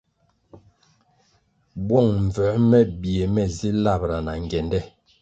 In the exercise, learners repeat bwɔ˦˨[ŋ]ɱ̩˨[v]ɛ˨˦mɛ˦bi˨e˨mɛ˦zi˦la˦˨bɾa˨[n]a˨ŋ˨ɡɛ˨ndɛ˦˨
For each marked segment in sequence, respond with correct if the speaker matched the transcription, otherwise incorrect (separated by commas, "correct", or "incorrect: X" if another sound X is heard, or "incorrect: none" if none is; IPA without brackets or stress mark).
correct, correct, correct